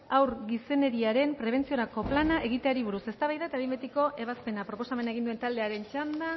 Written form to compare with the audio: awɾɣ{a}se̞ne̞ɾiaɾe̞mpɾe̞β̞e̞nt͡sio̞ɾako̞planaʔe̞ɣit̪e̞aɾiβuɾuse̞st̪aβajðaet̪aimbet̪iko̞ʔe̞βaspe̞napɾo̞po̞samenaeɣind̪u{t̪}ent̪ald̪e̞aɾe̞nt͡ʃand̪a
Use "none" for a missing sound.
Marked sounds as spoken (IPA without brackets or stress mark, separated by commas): i, none